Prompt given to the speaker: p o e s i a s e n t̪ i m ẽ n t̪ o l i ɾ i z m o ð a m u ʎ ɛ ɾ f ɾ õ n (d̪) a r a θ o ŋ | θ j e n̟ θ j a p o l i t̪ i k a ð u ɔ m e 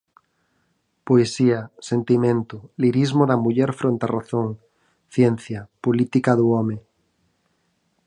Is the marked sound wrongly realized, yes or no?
yes